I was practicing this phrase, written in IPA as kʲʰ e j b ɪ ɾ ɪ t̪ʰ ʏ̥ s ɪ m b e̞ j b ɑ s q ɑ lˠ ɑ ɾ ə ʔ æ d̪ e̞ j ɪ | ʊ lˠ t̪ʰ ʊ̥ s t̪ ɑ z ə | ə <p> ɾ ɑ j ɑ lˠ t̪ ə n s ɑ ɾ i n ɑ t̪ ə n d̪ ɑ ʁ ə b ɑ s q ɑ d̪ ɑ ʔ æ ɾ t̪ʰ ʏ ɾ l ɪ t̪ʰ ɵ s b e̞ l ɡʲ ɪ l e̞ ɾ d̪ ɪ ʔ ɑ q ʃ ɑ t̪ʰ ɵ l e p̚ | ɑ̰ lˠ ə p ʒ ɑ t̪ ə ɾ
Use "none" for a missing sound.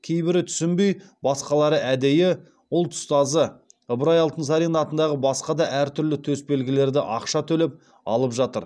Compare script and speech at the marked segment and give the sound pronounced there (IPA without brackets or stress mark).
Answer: b